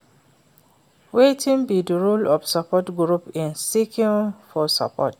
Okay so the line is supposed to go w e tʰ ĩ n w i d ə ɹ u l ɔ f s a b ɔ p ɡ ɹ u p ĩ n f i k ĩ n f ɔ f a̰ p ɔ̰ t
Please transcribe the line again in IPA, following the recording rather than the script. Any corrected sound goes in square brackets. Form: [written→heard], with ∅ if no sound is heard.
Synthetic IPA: w e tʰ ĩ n [w→b] i d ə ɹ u l ɔ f s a [b→p] ɔ [p→t] ɡ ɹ u p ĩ n [f→s] i k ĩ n f ɔ [f→s] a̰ p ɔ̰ t